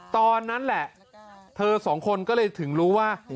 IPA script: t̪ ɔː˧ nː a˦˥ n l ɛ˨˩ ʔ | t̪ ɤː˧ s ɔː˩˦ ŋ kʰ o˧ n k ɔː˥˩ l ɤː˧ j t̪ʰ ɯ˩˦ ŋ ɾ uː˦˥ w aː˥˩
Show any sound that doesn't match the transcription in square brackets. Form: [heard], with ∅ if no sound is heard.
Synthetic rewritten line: t̪ ɔː˧ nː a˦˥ n l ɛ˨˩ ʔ | [t̪ʰ] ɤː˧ s ɔː˩˦ ŋ kʰ o˧ n k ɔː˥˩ l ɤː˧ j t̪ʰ ɯ˩˦ ŋ ɾ uː˦˥ w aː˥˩

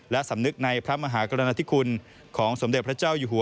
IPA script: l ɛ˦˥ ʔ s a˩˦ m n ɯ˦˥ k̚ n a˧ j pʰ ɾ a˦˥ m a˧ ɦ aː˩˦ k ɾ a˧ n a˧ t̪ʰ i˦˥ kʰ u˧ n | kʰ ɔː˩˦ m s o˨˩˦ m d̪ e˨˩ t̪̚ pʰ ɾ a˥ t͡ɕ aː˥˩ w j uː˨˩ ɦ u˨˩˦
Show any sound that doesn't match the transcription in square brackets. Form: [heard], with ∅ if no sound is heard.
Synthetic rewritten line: l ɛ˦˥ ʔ s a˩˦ m n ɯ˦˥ k̚ n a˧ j pʰ ɾ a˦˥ m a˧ ɦ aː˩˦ k ɾ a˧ n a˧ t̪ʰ i˦˥ kʰ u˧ n | kʰ ɔː˩˦ [ŋ] s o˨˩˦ m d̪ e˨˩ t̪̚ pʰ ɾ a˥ t͡ɕ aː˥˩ w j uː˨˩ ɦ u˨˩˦

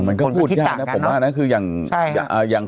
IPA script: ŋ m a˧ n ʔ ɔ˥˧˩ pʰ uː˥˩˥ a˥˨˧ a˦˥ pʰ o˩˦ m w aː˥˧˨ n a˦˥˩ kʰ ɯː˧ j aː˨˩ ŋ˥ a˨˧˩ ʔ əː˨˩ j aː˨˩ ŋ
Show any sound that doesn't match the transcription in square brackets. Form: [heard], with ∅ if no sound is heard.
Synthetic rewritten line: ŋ m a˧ n [k] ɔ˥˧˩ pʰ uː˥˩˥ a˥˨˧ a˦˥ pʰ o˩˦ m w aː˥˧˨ n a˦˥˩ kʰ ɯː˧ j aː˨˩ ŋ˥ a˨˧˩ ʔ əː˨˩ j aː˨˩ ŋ

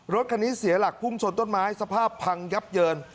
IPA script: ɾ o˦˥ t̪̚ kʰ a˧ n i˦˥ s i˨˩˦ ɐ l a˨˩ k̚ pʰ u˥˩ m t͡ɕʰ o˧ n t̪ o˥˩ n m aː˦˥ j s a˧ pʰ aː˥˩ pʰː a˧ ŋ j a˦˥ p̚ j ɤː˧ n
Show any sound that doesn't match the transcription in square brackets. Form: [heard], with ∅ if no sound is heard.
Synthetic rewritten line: ɾ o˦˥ t̪̚ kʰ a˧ n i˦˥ s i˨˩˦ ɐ l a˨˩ k̚ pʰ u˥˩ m t͡ɕʰ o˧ n t̪ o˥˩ n m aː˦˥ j s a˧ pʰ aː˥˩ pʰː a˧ ŋ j a˦˥ p̚ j ɤː˧ n

